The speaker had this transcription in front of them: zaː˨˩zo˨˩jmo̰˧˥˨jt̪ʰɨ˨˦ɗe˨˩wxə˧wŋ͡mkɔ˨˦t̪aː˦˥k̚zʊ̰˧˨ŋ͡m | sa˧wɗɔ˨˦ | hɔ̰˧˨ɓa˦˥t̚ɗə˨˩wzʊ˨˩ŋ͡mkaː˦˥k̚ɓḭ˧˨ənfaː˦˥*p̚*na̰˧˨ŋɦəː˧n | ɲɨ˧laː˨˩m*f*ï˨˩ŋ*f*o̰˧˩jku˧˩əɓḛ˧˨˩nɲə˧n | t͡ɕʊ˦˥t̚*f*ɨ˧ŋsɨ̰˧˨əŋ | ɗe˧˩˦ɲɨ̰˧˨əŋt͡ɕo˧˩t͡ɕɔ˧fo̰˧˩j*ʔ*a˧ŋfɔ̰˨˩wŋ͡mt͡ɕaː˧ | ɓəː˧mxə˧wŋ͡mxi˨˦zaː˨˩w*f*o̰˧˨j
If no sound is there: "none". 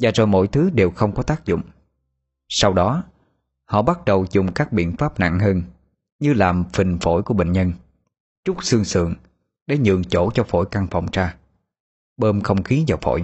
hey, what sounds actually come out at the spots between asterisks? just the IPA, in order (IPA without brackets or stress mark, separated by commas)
p̚, f, f, s, k, f